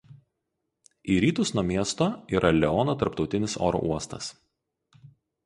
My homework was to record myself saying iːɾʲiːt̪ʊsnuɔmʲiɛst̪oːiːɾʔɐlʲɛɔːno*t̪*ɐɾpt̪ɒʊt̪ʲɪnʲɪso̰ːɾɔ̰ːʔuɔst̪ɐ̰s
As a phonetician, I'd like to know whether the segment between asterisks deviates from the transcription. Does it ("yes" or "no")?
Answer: no